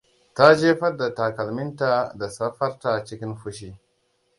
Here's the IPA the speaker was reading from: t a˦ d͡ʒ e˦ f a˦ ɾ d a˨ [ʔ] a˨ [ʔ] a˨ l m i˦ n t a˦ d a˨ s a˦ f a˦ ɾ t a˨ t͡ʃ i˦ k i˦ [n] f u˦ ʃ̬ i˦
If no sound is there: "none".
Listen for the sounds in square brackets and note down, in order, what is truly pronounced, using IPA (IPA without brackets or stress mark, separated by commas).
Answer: t, k, n